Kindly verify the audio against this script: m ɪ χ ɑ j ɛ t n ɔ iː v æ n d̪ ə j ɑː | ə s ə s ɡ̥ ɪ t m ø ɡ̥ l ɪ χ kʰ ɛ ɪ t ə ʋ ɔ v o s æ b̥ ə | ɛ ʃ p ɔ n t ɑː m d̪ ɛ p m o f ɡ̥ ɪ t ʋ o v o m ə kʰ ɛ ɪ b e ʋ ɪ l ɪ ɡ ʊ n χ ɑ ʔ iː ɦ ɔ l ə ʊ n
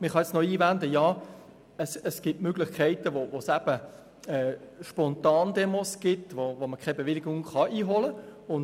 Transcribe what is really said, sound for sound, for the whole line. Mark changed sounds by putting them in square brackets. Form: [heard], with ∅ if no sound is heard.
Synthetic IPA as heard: m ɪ χ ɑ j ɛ [t͡s] n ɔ iː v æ n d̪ ə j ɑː | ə s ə s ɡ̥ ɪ t m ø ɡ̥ l ɪ χ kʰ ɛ ɪ t ə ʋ [o] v o s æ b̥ ə | ɛ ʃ p ɔ n t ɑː [n] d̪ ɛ [∅] m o [s] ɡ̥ ɪ t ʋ o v o m ə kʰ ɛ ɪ b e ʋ ɪ l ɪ ɡ ʊ [ŋ] χ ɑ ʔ iː ɦ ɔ l ə ʊ n